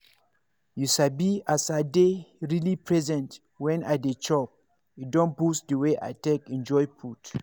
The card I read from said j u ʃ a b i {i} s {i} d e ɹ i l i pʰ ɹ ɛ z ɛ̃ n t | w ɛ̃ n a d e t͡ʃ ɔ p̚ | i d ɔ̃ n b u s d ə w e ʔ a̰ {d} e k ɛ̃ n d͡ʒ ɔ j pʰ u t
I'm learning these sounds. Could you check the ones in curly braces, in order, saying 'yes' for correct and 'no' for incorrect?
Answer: no, no, no

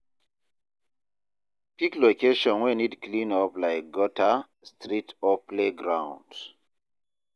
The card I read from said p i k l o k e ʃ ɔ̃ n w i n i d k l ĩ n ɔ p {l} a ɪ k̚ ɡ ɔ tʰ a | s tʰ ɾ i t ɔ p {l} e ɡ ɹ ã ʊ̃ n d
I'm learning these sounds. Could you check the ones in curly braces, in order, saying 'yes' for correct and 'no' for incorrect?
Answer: yes, yes

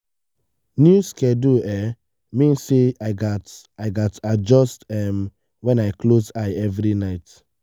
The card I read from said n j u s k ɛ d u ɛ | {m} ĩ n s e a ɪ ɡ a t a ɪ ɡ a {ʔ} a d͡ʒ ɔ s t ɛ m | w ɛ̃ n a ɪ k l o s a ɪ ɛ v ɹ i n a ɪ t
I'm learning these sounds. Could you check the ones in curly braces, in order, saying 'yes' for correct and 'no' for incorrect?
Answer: yes, no

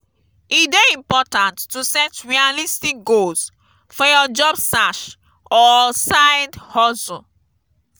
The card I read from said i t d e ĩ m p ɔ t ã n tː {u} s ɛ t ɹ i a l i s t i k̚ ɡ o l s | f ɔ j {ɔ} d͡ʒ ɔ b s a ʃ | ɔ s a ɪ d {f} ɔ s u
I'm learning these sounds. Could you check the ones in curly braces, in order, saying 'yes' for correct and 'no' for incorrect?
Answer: yes, yes, no

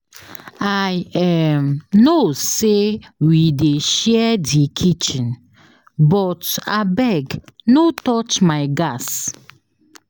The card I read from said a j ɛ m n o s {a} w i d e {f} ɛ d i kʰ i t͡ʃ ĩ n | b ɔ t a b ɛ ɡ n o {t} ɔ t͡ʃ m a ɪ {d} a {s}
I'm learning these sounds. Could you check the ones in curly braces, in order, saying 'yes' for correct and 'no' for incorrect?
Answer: no, no, yes, no, yes

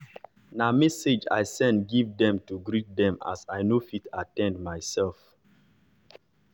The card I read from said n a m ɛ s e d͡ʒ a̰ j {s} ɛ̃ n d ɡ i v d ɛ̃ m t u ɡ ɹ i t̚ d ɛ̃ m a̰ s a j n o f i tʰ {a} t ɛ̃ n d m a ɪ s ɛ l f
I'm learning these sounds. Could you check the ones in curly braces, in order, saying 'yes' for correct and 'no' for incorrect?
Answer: yes, yes

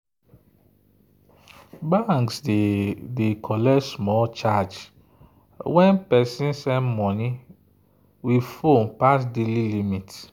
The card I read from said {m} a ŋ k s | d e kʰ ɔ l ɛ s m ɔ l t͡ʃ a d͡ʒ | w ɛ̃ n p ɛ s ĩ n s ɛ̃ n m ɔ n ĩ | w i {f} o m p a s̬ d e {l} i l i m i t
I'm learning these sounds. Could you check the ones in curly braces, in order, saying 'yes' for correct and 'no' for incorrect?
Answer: no, yes, yes

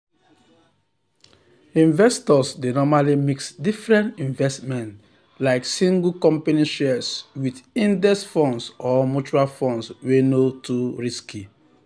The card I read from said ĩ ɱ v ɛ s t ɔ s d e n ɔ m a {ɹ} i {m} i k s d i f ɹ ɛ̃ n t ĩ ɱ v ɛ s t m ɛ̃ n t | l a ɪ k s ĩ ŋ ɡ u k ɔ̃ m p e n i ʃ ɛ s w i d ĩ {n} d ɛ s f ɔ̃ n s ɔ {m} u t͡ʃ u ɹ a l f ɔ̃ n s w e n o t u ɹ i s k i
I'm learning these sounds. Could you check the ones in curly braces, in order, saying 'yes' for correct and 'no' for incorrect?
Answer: no, yes, yes, yes

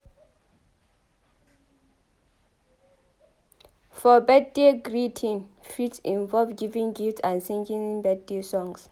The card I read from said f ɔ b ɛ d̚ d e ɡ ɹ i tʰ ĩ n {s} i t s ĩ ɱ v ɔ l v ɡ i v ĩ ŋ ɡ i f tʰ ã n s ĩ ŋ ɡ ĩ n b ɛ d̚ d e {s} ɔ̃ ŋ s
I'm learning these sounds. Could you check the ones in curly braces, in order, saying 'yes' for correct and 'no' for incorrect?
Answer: no, yes

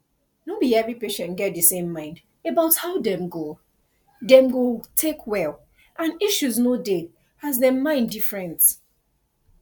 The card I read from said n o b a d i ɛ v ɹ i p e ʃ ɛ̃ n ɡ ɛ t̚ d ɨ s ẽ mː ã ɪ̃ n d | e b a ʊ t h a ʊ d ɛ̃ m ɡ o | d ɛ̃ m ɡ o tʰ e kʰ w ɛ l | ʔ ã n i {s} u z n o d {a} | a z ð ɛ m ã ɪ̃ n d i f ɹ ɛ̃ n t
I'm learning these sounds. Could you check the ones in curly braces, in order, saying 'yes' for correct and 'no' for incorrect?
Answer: no, no

